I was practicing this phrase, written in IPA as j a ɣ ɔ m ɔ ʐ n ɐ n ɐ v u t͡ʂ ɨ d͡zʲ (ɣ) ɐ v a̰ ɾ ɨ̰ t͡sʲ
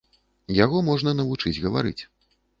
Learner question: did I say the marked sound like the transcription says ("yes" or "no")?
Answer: yes